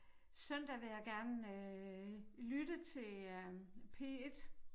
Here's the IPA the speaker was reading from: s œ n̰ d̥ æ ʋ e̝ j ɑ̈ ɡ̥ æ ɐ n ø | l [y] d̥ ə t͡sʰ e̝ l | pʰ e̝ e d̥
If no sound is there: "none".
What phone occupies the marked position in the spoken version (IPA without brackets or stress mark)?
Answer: y